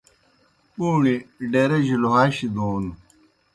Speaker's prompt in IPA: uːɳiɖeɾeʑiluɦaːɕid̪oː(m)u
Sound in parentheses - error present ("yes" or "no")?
yes